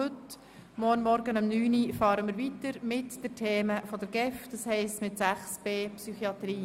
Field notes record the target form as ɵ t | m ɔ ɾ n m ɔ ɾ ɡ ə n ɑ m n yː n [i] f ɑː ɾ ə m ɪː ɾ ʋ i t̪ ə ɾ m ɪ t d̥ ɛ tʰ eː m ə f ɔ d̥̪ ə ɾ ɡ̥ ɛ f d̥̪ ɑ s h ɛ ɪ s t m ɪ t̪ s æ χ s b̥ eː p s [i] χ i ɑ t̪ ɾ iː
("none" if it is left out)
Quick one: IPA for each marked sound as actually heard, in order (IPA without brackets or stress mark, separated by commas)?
i, y